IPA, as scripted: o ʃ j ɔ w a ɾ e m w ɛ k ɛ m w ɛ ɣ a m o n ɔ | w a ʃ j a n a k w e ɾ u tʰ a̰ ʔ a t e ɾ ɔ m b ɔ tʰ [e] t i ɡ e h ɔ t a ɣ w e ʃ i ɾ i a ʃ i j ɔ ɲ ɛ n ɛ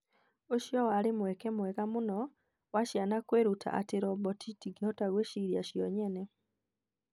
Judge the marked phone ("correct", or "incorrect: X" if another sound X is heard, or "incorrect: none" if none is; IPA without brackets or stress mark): incorrect: i